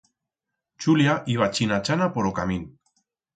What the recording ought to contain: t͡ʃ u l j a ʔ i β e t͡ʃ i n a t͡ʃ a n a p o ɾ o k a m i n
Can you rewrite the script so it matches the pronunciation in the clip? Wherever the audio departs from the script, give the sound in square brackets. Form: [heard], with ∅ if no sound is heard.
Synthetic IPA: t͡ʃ u l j a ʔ i β [a] t͡ʃ i n a t͡ʃ a n a p o ɾ o k a m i n